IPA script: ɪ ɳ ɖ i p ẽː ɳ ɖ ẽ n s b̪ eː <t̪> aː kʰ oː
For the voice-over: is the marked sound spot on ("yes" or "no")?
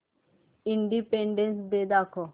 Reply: no